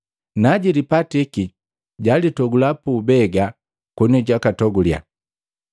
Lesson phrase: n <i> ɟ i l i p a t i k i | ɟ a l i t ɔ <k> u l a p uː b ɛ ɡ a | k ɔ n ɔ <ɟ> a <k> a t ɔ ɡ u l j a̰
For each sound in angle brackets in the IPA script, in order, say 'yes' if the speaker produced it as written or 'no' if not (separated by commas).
no, no, yes, yes